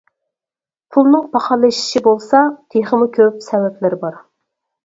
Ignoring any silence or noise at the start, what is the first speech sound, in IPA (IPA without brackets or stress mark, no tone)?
pʰ